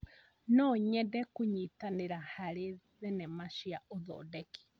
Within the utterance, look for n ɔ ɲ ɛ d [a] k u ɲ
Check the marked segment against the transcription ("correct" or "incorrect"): incorrect